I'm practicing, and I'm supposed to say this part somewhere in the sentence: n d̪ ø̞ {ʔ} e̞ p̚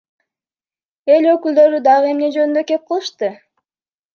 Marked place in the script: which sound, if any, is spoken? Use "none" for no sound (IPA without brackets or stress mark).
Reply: k